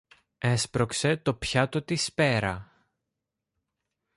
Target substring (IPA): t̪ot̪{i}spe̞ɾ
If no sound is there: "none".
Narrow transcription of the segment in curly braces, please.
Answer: i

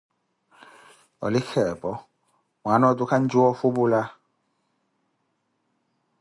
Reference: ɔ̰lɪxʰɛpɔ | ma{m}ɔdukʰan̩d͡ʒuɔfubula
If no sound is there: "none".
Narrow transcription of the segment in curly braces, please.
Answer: n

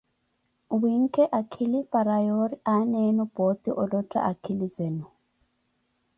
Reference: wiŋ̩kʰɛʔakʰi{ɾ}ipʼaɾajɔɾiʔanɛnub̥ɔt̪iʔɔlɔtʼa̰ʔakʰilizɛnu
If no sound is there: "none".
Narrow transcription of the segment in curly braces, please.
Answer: l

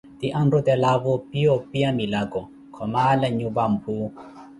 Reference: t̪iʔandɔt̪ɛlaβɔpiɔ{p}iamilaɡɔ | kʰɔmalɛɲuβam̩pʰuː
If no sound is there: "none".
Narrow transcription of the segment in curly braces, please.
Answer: p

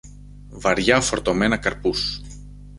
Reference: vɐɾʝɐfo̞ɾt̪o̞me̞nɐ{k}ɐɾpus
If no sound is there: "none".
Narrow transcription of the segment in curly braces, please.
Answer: k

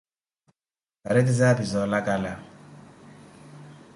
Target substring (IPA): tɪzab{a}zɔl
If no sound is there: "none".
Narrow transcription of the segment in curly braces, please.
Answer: i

